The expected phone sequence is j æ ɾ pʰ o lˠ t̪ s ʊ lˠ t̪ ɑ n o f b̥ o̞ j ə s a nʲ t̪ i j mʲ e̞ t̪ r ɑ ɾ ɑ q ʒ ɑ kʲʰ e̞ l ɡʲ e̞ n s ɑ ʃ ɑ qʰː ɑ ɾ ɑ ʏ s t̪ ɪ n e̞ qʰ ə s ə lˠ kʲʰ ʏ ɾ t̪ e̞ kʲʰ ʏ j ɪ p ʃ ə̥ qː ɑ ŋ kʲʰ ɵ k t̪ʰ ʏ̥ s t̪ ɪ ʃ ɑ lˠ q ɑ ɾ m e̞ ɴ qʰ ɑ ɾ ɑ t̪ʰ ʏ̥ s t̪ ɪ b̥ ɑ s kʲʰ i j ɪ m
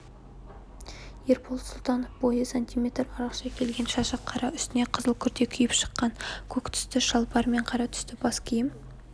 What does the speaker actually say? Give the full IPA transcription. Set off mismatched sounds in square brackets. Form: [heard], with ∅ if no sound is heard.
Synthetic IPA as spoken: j [e] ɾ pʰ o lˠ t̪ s ʊ lˠ t̪ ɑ n o f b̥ o̞ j ə s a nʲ t̪ i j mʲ e̞ t̪ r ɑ ɾ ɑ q [ʃ] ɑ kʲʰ e̞ l ɡʲ e̞ n [ʃ] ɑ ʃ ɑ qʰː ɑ ɾ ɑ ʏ s t̪ ɪ n e̞ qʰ ə [z] ə lˠ kʲʰ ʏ ɾ t̪ e̞ kʲʰ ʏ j ɪ p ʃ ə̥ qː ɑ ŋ kʲʰ ɵ k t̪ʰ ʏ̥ s t̪ ɪ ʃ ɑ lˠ [p] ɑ ɾ m e̞ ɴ qʰ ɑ ɾ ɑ t̪ʰ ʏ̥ s t̪ ɪ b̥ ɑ s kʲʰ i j ɪ m